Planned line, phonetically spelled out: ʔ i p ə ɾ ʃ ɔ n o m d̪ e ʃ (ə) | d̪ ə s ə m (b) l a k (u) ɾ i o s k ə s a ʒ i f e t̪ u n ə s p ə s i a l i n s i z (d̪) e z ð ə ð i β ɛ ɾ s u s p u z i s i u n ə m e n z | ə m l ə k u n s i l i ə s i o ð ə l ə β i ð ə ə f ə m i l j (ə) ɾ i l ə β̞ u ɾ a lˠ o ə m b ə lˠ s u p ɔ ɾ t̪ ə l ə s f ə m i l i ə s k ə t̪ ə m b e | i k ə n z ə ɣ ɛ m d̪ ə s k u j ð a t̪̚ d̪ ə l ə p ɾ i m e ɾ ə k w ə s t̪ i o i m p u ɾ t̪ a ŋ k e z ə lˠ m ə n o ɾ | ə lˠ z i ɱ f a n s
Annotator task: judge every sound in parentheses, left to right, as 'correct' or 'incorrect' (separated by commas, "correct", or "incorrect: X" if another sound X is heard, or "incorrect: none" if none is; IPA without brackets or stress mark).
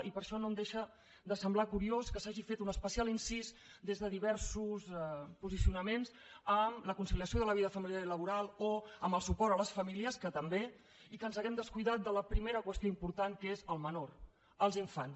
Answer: correct, correct, correct, correct, incorrect: a